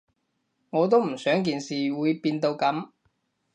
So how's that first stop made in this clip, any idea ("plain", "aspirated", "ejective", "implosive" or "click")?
plain